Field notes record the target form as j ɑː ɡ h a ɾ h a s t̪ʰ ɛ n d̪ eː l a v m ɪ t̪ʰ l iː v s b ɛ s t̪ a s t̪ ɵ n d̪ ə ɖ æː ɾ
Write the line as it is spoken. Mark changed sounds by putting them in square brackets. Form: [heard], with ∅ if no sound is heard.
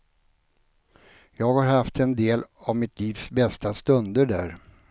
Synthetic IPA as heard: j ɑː ɡ h a ɾ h a [f] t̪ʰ ɛ n d̪ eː l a v m ɪ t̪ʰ l iː v s b ɛ s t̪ a s t̪ ɵ n d̪ ə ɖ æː ɾ